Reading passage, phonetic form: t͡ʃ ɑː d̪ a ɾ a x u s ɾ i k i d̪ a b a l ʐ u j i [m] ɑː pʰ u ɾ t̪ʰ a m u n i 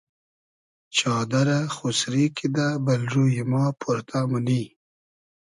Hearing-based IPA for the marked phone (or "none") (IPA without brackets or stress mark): m